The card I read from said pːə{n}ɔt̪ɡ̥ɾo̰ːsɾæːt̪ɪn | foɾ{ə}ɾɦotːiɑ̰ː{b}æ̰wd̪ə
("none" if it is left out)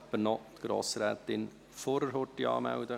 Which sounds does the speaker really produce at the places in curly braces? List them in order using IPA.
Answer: n, ə, m

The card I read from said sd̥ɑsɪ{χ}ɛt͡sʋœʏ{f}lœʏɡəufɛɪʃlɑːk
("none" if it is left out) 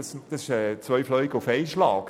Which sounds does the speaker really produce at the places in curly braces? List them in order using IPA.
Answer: ʃ, f

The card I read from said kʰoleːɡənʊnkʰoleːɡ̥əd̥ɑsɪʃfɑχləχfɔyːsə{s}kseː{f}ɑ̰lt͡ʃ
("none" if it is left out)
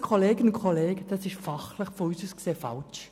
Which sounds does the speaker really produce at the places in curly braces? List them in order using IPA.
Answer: s, f

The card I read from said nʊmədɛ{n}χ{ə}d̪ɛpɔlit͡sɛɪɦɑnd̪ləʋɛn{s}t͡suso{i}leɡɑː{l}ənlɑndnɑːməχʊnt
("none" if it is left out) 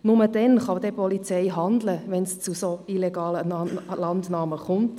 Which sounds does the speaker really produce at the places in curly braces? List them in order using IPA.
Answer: n, ɑ, s, i, l

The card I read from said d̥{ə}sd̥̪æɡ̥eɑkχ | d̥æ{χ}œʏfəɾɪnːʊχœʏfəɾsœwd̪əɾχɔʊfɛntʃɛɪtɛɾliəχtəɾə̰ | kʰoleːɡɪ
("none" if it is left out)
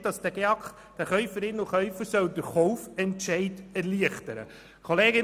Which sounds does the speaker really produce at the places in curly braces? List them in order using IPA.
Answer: ɑ, χ

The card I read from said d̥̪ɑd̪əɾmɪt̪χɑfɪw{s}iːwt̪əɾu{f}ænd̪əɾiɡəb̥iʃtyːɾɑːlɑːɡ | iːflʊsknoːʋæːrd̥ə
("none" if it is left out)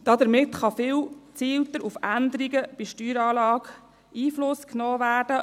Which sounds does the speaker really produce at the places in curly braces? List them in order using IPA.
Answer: t͡s, f

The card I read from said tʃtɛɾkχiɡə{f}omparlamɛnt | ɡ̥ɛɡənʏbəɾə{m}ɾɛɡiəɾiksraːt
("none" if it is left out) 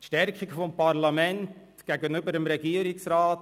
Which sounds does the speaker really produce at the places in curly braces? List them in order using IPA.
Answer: f, m

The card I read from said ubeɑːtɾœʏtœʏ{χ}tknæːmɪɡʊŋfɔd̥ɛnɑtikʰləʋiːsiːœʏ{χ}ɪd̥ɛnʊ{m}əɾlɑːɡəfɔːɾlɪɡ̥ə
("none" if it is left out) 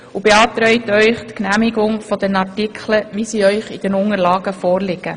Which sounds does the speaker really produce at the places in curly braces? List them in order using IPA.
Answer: χ, χ, ŋ

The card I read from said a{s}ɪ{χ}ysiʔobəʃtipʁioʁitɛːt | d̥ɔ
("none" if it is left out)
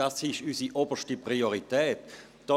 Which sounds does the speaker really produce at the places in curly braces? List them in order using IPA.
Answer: s, ʃ

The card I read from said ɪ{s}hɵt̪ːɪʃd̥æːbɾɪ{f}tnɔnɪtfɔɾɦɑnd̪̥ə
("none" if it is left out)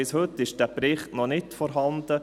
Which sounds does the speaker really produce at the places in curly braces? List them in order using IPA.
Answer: s, χ

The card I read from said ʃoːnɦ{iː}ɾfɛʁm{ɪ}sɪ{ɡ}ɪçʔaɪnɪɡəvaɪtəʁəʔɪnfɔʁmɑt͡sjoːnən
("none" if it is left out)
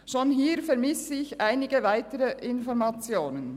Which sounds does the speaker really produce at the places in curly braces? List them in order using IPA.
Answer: iː, ɪ, none

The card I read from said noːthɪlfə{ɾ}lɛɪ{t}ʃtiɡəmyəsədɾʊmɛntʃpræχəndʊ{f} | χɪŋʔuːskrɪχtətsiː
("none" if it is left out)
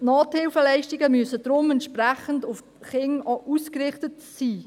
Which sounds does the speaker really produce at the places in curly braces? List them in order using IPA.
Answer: none, none, f

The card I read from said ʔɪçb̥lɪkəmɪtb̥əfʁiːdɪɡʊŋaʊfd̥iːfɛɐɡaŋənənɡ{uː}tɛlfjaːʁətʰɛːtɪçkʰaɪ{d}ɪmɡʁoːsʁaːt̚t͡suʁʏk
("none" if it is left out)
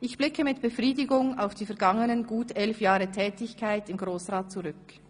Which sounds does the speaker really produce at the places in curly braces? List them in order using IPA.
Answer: uː, t

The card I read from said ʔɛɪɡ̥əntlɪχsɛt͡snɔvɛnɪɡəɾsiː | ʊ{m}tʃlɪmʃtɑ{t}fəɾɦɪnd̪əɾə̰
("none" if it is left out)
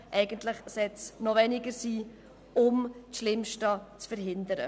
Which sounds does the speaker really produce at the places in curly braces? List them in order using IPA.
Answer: m, t͡s

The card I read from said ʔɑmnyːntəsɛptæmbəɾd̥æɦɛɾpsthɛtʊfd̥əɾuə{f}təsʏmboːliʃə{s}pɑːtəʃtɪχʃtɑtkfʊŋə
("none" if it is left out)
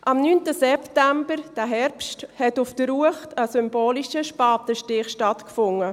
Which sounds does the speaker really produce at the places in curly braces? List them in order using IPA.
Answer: χ, ʃ

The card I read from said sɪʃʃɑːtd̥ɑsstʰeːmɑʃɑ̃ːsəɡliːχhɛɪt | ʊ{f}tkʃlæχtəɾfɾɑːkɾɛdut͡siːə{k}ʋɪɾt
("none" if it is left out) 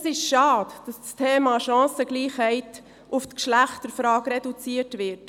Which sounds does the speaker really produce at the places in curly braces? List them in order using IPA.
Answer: f, t

